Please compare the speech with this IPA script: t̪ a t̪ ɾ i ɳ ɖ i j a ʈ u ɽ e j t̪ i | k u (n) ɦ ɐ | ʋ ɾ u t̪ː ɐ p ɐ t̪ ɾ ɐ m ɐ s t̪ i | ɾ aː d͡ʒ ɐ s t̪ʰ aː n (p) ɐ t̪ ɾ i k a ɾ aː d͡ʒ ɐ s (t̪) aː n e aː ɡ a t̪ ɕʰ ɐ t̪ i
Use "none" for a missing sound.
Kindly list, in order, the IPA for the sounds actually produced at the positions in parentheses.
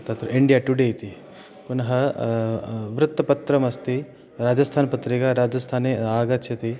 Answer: n, p, t̪ʰ

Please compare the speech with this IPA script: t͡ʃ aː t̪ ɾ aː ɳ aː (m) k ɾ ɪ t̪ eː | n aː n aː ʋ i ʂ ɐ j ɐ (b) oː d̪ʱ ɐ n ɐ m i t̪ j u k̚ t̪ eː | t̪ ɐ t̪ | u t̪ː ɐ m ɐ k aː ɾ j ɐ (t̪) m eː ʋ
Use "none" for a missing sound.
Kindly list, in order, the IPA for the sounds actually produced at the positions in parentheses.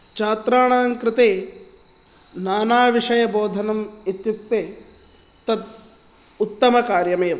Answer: ŋ, b, none

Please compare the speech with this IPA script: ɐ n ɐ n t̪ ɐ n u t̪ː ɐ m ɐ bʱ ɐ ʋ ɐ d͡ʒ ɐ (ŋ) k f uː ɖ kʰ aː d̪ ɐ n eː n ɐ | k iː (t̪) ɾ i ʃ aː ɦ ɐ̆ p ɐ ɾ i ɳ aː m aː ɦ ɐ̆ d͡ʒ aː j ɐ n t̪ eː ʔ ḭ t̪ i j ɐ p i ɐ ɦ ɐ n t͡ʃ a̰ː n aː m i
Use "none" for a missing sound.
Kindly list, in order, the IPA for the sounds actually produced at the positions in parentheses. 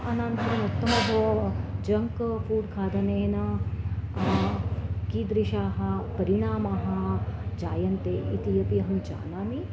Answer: ŋ, d̪

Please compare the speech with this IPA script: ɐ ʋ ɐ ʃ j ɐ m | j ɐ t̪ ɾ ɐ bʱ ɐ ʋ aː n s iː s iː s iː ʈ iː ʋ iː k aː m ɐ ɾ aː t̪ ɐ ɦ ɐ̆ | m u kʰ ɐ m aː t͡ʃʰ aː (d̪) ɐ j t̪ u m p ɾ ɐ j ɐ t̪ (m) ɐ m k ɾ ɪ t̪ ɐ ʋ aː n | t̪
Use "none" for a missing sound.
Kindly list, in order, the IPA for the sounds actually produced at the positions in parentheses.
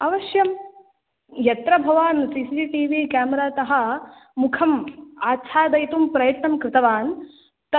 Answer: d̪, n

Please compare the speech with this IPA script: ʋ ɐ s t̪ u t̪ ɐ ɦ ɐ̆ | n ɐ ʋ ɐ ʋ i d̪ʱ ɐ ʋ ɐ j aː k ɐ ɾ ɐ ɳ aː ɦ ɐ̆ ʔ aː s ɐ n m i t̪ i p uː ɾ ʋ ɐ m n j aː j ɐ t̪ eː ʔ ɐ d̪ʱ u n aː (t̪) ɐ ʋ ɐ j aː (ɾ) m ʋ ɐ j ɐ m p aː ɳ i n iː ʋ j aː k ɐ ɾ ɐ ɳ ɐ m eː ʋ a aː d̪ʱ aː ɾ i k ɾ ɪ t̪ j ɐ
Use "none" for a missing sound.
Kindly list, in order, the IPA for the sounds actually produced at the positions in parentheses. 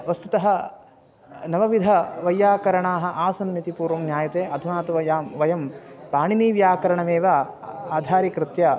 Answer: t̪, none

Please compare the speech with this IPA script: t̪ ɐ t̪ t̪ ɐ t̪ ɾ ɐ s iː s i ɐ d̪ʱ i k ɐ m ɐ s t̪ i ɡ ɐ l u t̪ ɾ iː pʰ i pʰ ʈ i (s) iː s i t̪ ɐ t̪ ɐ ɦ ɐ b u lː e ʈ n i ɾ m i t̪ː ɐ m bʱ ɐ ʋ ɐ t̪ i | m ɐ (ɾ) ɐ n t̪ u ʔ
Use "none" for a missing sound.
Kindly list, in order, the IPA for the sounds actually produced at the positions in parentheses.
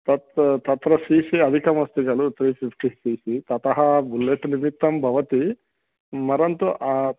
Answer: s, ɾ

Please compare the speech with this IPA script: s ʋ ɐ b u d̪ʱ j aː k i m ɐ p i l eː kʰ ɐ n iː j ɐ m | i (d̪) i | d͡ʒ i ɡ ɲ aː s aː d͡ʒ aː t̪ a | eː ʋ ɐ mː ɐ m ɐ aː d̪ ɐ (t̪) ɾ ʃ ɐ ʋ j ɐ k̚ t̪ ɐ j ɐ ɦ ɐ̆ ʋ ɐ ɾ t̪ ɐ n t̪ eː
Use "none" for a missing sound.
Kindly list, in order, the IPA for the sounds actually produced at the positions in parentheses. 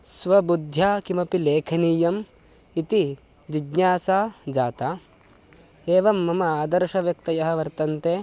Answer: t̪, none

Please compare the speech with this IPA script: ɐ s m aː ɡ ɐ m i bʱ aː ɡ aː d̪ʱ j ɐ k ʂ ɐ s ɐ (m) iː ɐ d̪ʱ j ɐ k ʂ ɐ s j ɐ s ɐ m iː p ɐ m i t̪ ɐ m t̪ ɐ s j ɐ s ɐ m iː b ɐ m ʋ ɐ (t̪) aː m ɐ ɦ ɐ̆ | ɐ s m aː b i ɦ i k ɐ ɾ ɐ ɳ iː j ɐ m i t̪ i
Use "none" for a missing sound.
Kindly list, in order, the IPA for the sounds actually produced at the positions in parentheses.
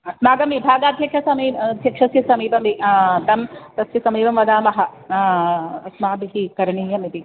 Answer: m, d̪

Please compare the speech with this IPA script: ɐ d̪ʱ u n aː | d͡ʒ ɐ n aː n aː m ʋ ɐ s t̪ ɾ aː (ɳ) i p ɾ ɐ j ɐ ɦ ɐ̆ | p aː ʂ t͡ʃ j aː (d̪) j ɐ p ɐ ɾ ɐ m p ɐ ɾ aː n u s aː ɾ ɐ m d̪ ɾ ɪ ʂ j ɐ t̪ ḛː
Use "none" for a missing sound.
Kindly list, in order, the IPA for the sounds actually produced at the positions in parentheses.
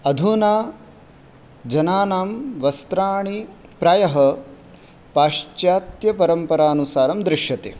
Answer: ɳ, t̪

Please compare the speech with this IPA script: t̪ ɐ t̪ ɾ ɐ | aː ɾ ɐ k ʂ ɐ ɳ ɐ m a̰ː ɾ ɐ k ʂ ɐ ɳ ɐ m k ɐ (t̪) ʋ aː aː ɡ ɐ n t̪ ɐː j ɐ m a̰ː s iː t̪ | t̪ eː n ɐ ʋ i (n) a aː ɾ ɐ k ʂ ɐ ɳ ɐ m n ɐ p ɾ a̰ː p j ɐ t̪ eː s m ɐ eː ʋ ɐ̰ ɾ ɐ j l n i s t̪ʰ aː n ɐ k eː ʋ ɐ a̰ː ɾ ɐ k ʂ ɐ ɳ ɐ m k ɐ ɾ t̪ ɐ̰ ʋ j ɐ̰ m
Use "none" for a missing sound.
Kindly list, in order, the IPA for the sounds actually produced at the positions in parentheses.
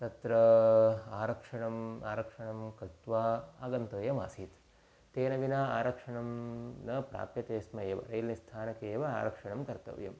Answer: t̪, n

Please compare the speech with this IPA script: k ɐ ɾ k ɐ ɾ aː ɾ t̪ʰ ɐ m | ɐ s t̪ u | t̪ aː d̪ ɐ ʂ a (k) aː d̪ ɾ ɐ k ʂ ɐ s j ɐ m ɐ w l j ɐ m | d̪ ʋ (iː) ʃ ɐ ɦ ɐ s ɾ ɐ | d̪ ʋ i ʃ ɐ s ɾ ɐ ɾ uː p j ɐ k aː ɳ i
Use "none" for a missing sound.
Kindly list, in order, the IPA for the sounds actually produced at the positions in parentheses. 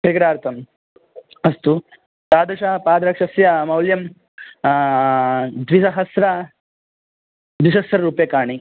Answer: p, i

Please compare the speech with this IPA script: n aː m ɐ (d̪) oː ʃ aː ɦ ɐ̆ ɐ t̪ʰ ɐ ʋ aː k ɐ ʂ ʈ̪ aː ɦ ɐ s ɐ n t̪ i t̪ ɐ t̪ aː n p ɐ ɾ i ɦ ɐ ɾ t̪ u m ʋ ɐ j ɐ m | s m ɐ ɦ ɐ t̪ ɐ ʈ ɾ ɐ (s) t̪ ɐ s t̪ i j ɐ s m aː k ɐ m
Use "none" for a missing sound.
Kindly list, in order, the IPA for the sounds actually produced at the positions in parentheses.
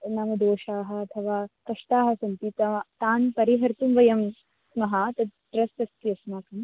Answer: d̪, s

